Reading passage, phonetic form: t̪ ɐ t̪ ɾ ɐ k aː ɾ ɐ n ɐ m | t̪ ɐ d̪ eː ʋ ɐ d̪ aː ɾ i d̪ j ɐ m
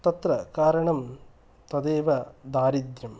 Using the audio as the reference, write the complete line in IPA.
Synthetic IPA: t̪ ɐ t̪ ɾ ɐ k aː ɾ ɐ ɳ ɐ m | t̪ ɐ d̪ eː ʋ ɐ d̪ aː ɾ i d̪ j ɐ m